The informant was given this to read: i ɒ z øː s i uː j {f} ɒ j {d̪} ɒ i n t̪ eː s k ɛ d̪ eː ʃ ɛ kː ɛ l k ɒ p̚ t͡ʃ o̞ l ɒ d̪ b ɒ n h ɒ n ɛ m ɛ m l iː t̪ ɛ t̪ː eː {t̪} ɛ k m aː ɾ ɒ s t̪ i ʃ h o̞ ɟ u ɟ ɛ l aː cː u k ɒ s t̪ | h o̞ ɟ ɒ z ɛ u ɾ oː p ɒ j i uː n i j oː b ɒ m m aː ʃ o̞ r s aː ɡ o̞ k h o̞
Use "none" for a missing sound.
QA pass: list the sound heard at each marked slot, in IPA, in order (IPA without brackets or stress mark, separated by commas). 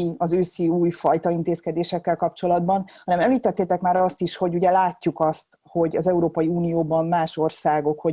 f, t̪, t̪